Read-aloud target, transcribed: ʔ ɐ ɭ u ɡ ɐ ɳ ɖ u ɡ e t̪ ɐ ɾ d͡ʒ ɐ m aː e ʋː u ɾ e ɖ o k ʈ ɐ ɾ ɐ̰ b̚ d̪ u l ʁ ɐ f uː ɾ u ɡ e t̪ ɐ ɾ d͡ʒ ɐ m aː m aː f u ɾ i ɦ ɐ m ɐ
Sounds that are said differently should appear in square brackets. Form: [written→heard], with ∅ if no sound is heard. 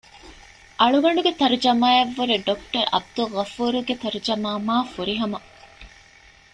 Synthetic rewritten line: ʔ ɐ ɭ u ɡ ɐ ɳ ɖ u ɡ e t̪ ɐ ɾ d͡ʒ ɐ m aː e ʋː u ɾ e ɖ o k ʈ ɐ ɾ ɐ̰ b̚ d̪ u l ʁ ɐ f uː ɾ u ɡ e t̪ ɐ ɾ d͡ʒ ɐ m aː m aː f u ɾ i ɦ ɐ m ɐ

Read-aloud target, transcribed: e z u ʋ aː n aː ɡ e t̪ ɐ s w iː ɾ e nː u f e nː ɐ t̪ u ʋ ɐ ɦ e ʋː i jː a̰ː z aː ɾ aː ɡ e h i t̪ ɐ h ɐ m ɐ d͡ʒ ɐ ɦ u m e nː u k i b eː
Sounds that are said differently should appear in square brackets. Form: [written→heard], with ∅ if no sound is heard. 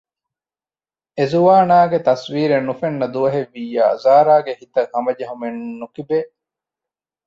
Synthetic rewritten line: e z u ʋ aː n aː ɡ e t̪ ɐ s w iː ɾ e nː u f e nː ɐ [t̪→d̪] u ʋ ɐ ɦ e ʋː i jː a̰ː z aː ɾ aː ɡ e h i t̪ ɐ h ɐ m ɐ d͡ʒ ɐ ɦ u m e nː u k i b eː

